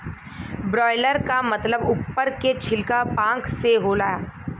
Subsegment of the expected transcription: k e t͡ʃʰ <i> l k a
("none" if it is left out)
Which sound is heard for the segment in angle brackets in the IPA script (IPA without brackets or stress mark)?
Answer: ɪ